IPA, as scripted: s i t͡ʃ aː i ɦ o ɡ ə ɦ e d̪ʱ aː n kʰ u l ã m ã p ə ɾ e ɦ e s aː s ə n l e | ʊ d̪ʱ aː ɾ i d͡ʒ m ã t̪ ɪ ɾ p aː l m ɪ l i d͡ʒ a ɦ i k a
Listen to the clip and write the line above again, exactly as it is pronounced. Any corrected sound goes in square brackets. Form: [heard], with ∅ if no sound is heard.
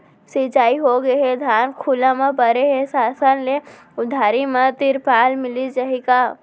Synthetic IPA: s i t͡ʃ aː i ɦ o ɡ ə ɦ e d̪ʱ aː n kʰ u l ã m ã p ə ɾ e ɦ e s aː s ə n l e | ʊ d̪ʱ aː ɾ i [∅] m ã t̪ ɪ ɾ p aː l m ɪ l i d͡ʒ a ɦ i k a